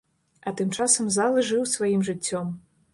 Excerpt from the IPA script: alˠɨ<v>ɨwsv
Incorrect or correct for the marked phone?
incorrect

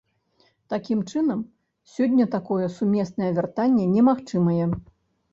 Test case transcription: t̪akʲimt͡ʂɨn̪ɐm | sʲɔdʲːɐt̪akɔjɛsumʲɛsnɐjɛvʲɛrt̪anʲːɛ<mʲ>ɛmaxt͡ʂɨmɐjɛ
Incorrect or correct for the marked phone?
incorrect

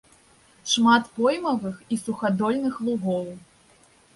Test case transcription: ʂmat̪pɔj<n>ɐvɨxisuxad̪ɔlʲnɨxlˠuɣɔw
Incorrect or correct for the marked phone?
incorrect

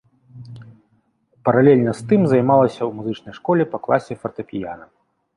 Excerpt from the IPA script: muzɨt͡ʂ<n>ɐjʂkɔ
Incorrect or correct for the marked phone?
correct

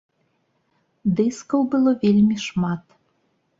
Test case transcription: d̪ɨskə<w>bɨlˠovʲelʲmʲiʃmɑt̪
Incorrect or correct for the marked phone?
correct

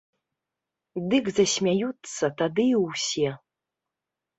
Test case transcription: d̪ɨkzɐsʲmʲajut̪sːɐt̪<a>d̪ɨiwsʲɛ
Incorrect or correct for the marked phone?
correct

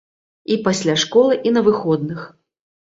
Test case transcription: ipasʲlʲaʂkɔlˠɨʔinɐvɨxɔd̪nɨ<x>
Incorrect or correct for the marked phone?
correct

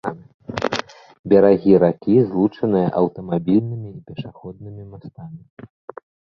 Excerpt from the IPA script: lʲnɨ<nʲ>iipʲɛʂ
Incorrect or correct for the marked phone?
incorrect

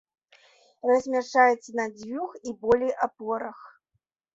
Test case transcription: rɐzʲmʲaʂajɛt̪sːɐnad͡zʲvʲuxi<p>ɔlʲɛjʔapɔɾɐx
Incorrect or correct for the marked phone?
incorrect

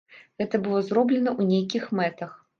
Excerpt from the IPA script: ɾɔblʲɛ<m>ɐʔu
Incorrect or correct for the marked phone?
incorrect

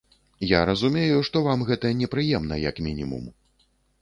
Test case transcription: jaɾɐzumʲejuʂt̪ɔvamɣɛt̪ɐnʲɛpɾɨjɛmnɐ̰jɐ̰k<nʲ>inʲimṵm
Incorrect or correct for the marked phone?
incorrect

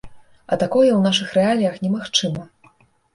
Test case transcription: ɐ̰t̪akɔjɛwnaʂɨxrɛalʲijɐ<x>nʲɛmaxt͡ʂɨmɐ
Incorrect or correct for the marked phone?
correct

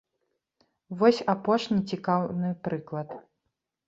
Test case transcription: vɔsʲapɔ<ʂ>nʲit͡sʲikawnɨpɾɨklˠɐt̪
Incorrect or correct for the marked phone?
correct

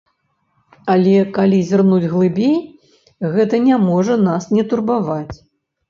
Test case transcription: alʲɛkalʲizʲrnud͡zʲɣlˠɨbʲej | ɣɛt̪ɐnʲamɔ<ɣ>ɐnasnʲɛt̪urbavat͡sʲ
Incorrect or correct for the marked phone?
incorrect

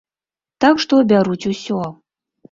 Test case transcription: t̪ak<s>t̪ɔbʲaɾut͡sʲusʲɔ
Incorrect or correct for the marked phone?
incorrect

